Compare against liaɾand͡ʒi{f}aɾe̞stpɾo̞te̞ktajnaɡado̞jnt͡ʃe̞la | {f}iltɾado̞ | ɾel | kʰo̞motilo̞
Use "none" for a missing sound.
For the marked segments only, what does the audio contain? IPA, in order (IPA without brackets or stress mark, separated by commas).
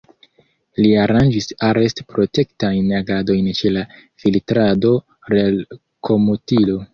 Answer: s, f